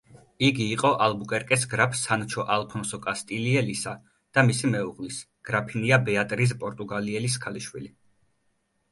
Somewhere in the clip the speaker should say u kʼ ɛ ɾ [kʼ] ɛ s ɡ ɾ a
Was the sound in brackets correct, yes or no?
yes